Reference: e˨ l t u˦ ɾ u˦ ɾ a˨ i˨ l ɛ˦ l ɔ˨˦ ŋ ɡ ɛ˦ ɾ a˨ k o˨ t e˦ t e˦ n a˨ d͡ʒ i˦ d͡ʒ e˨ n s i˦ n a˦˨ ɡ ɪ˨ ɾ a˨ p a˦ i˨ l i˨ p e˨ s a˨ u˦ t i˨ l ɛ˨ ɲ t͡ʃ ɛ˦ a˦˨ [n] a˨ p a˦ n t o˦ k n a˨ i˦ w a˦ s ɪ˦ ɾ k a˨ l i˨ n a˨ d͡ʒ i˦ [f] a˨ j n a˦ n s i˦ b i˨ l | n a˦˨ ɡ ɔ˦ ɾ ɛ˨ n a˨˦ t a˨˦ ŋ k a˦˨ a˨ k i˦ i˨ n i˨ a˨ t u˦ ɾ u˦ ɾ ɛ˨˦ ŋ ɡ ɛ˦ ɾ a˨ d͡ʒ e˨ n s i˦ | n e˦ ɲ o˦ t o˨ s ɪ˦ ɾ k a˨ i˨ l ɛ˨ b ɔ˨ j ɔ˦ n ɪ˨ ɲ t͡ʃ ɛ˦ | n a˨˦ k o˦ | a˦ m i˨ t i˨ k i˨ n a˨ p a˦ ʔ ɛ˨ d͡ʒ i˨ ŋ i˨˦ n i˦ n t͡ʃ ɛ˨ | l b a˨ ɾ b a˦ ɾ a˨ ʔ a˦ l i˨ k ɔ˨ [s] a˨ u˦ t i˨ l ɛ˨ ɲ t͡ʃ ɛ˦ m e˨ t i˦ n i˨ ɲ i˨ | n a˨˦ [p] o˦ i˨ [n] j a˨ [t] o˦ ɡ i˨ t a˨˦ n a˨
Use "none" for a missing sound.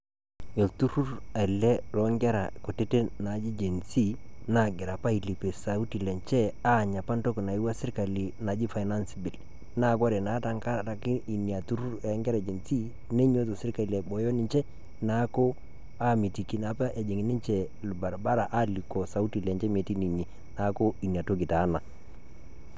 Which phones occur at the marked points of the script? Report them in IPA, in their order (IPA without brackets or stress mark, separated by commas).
ɲ, f, s, k, n, t